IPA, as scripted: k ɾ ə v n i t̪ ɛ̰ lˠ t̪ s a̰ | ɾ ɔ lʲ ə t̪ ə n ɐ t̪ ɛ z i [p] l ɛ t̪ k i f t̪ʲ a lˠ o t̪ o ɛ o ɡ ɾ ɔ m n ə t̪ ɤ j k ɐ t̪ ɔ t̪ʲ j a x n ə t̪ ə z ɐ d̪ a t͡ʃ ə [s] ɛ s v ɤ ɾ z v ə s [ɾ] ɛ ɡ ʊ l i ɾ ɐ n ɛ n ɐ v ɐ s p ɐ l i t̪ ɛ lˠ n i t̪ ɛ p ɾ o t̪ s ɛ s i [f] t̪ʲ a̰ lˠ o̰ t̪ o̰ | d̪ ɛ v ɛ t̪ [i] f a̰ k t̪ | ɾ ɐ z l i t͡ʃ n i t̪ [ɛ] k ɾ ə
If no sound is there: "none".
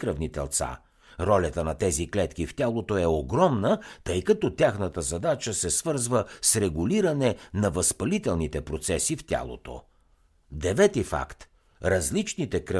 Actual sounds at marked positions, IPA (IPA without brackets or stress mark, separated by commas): k, s, ɾ, f, i, ɛ